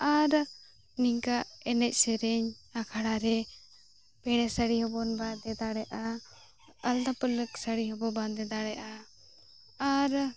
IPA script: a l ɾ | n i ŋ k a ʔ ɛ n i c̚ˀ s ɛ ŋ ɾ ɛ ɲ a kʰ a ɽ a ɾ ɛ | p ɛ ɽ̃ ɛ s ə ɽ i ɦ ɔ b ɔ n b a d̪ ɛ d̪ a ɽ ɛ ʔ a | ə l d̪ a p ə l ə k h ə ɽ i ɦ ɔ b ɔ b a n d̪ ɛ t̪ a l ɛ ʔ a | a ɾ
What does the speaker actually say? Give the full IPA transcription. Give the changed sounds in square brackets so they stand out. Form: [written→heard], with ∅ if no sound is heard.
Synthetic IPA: a [l→∅] ɾ | n i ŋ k a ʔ ɛ n [i→ɛ] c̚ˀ s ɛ [ŋ→∅] ɾ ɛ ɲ a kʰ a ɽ a ɾ ɛ | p ɛ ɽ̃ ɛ s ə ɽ i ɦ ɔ b ɔ n b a d̪ ɛ d̪ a ɽ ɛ ʔ a | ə l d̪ a p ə l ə k [h→s] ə ɽ i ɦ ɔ b ɔ b a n d̪ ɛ [t̪→d̪] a [l→ɽ] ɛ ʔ a | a ɾ

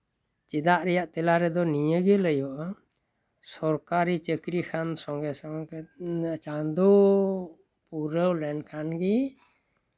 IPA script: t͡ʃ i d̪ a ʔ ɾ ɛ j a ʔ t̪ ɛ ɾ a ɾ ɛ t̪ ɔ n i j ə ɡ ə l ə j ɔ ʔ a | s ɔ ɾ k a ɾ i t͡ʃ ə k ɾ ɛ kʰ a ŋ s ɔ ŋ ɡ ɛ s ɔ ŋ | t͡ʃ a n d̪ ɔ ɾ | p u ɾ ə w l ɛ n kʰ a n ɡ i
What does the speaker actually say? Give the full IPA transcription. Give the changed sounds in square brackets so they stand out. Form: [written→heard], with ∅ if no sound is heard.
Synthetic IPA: t͡ʃ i d̪ a ʔ ɾ ɛ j a ʔ t̪ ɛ [ɾ→l] a ɾ ɛ [t̪→d̪] ɔ n i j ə ɡ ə l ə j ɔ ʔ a | s ɔ ɾ k a ɾ i t͡ʃ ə k ɾ [ɛ→i] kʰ a [ŋ→n] s ɔ ŋ ɡ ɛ s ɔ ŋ | t͡ʃ a n d̪ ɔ [ɾ→∅] | p u ɾ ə w l ɛ n kʰ a n ɡ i

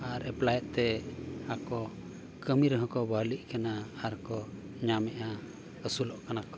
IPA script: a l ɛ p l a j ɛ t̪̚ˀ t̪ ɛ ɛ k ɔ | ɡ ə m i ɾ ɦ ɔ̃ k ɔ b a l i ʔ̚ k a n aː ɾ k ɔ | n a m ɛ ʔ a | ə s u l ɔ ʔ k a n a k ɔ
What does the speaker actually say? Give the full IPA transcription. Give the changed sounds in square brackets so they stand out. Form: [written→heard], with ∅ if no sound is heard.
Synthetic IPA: a [l→ɾ] ɛ p l a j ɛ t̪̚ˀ t̪ ɛ [ɛ→a] k ɔ | [ɡ→k] ə m i ɾ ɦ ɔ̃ k ɔ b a l i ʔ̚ k a n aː ɾ k ɔ | [n→ɲ] a m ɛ ʔ a | ə s u l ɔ ʔ k a n a k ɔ

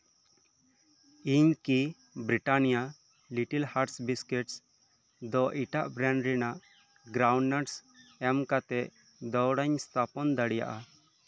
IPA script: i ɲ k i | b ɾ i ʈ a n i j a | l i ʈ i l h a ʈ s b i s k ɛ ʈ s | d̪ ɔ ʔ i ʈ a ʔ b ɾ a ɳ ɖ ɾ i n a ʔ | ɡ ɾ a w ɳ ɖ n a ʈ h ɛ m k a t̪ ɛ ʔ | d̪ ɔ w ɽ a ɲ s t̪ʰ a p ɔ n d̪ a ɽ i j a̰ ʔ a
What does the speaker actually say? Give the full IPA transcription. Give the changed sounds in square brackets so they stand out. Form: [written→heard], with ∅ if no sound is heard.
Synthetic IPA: i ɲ k i | b ɾ i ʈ a n i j a | l i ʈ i l h a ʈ s b i s k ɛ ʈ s | d̪ ɔ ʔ i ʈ a ʔ b ɾ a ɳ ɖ ɾ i n a ʔ | ɡ ɾ a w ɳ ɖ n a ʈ [h→s] ɛ m k a t̪ ɛ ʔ | d̪ ɔ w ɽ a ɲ s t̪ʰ a p ɔ n d̪ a ɽ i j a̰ ʔ a

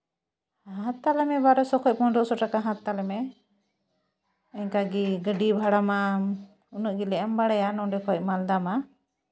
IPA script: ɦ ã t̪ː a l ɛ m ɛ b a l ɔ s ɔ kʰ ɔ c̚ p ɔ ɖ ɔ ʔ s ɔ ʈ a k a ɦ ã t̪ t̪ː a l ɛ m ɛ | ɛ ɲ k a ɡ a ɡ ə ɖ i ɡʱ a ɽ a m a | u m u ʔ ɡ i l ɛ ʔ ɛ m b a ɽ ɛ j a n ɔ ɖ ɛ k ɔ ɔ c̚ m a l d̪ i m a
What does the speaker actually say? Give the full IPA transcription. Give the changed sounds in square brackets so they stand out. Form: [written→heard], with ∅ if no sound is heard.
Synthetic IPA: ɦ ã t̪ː a l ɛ m ɛ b a [l→ɾ] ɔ s ɔ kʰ ɔ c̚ p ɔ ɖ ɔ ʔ s ɔ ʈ a k a ɦ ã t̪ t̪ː a l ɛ m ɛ | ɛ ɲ k a ɡ [a→i] ɡ ə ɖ i [ɡʱ→bʱ] a ɽ a m a | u [m→n] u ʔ ɡ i l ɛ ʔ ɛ m b a ɽ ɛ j a n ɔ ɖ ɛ k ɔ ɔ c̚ m a l d̪ [i→a] m a

